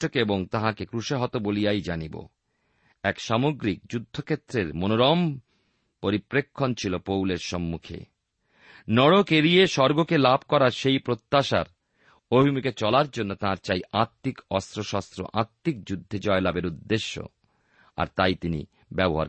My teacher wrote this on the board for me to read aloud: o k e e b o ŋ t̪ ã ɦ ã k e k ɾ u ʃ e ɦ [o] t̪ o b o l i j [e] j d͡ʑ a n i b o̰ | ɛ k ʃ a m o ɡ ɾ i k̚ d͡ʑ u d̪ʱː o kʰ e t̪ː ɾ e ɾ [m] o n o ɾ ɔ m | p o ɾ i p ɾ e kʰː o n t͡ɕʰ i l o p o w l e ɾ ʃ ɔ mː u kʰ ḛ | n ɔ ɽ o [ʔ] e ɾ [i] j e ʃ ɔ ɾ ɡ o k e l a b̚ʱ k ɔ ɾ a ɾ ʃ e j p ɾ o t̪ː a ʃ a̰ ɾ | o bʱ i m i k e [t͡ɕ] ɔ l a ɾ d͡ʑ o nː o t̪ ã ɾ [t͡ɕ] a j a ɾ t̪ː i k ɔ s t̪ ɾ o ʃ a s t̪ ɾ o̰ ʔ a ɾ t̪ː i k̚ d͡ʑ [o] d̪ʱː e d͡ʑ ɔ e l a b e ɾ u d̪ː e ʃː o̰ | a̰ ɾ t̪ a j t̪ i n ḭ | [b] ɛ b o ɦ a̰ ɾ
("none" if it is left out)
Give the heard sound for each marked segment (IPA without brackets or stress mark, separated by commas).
ɔ, a, m, k, i, t͡ɕ, t͡ɕ, u, b